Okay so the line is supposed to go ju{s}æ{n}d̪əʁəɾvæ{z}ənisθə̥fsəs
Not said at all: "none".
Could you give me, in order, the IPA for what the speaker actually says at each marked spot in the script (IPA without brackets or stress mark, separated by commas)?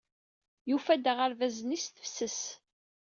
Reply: f, none, z